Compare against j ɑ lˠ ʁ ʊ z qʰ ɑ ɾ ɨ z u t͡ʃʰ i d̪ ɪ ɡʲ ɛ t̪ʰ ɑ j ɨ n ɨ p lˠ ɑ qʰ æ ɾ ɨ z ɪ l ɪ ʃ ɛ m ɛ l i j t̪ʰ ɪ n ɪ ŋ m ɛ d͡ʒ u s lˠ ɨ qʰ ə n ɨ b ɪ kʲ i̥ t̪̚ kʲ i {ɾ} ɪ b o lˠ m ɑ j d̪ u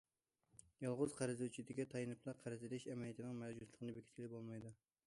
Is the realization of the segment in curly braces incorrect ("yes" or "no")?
yes